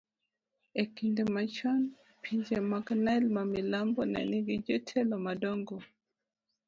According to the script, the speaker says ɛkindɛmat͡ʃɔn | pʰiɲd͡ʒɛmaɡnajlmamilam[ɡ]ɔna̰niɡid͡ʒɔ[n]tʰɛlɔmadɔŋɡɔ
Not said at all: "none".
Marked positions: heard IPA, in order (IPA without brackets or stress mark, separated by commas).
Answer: b, none